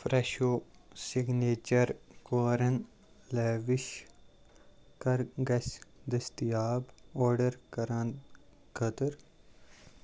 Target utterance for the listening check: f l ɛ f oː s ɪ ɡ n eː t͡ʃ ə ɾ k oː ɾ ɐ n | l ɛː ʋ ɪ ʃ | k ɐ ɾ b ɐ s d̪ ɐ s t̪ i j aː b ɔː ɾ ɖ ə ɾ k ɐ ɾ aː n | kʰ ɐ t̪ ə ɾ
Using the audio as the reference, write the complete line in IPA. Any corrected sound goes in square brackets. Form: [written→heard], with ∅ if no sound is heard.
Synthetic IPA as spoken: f [l→ɾ] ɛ [f→ʃ] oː s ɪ ɡ n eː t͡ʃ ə ɾ k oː ɾ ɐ n | l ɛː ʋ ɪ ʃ | k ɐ ɾ [b→ɡ] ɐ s d̪ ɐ s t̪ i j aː b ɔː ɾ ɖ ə ɾ k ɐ ɾ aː n | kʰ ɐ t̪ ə ɾ